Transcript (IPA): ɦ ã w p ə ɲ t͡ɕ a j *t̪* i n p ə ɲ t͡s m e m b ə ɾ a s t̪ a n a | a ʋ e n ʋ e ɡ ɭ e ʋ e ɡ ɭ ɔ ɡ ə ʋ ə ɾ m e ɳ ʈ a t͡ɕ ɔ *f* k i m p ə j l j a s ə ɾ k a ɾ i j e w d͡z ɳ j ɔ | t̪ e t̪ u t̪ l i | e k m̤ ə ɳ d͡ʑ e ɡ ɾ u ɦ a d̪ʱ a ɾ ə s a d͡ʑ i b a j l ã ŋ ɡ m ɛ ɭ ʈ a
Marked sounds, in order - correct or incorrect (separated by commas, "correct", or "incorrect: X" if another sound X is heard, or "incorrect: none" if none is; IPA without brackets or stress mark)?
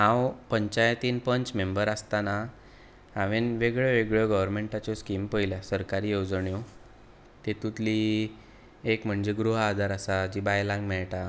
correct, incorrect: s